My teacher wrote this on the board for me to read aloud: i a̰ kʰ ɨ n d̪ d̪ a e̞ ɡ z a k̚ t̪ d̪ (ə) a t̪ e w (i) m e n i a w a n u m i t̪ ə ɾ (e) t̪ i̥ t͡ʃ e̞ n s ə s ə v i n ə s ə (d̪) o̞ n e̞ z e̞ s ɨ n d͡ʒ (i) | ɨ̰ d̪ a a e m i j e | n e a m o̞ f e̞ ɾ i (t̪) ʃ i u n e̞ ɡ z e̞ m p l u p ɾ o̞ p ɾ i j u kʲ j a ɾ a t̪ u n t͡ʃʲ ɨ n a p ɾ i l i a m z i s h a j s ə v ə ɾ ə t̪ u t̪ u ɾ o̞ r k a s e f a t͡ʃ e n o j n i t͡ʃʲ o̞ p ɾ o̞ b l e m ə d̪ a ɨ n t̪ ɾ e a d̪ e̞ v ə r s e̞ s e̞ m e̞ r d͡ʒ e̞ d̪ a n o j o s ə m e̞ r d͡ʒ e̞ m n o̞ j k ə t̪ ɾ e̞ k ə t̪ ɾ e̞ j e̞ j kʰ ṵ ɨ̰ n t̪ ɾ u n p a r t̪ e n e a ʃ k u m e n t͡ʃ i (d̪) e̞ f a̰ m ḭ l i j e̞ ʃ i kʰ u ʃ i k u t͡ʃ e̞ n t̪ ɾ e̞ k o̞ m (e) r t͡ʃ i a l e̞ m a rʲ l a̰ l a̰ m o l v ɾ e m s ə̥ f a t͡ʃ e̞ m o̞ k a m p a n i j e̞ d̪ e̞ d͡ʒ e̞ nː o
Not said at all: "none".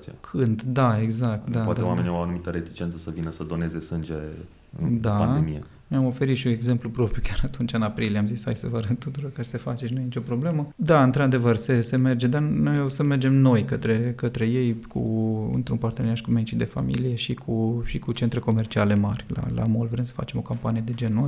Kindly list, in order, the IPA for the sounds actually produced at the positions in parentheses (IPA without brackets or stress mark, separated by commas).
a, a, e, d̪, e, t̪, d̪, e